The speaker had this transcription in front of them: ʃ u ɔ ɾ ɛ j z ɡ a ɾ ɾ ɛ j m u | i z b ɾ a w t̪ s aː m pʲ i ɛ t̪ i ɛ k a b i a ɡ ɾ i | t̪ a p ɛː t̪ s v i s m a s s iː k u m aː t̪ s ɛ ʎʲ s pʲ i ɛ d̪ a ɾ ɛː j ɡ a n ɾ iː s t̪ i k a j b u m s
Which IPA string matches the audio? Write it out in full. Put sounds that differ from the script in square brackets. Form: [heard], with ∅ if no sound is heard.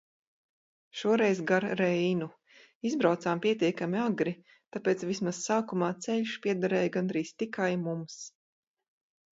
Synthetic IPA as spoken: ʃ u ɔ ɾ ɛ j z ɡ a ɾ ɾ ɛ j [n] u | i z b ɾ a w t̪ s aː m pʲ i ɛ t̪ i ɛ k a [m] i a ɡ ɾ i | t̪ a p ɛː t̪ s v i s m a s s [aː] k u m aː t̪ s ɛ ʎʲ [ʃ] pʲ i ɛ d̪ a ɾ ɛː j ɡ a n ɾ iː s t̪ i k a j [m] u m s

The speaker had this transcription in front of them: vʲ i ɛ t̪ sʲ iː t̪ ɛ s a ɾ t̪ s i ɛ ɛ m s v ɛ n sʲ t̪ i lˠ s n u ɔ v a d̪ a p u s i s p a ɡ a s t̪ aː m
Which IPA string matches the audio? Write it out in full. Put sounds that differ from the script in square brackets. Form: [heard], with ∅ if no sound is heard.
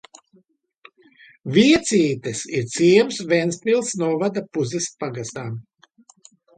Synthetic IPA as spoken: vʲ i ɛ t̪ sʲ iː t̪ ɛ s [i] ɾ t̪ s i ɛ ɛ m s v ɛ n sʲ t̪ i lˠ s n u ɔ v a d̪ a p u [z] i s p a ɡ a s t̪ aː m

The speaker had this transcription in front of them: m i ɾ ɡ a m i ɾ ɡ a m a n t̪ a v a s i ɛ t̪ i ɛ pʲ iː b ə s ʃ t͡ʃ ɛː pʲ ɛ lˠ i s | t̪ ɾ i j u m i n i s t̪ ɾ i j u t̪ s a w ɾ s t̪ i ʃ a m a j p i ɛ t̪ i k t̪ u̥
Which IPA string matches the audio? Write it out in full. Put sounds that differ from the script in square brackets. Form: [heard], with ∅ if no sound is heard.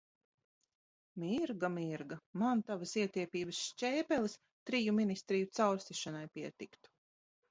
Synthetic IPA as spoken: m i ɾ ɡ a m i ɾ ɡ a m a n t̪ a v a s i ɛ t̪ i ɛ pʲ iː b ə s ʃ t͡ʃ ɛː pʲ ɛ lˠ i s | t̪ ɾ i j u m i n i s t̪ ɾ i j u t̪ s a w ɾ s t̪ i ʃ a [n] a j p i ɛ t̪ i k t̪ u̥

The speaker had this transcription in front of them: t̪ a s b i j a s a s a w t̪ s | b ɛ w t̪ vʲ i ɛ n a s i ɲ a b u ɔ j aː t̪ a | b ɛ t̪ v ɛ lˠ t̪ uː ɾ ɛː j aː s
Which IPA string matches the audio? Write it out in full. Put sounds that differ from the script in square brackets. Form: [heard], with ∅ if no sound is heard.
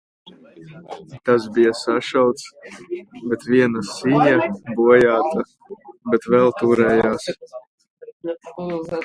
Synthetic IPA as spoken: t̪ a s b i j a s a [ʃ] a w t̪ s | b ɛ [∅] t̪ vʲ i ɛ n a s i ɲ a b u ɔ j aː t̪ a | b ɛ t̪ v ɛ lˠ t̪ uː ɾ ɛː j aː s

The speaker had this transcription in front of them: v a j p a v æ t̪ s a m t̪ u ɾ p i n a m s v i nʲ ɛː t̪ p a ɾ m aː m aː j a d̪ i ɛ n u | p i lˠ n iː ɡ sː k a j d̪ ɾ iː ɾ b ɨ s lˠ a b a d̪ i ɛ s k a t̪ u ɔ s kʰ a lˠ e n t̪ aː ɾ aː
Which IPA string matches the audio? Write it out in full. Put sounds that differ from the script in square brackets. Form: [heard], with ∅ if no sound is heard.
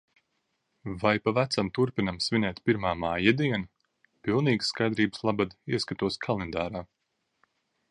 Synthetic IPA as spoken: v a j p a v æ t̪ s a m t̪ u ɾ p i n a m s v i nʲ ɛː t̪ p [i] ɾ m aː m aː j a d̪ i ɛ n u | p i lˠ n iː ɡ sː k a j d̪ ɾ iː [∅] b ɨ s lˠ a b a d̪ i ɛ s k a t̪ u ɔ s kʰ a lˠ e n [d̪] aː ɾ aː

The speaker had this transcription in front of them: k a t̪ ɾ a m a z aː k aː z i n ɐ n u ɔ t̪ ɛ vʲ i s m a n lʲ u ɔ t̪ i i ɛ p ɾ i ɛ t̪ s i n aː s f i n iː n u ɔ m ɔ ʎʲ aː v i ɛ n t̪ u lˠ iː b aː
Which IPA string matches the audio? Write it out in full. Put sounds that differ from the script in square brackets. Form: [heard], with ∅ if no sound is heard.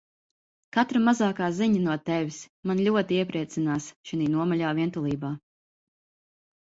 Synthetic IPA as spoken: k a t̪ ɾ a m a z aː k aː z i [ɲ] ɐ n u ɔ t̪ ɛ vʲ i s m a n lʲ u ɔ t̪ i i ɛ p ɾ i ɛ t̪ s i n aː s [ʃ] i n iː n u ɔ m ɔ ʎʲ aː v i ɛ n t̪ u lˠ iː b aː

